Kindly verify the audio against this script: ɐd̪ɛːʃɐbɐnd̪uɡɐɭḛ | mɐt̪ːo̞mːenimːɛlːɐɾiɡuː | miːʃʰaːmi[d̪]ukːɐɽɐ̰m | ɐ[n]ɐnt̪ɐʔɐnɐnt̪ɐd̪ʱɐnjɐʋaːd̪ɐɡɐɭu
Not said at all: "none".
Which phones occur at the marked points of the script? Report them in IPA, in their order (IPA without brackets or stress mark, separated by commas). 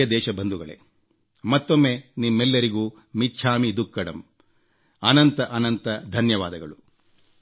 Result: d̪, n